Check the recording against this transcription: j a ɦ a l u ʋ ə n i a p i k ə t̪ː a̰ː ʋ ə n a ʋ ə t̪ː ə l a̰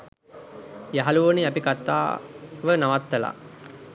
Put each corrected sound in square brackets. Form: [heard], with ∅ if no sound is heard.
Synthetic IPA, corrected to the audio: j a ɦ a l u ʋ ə n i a p i k [a] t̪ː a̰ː ʋ ə n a ʋ [a] t̪ː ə l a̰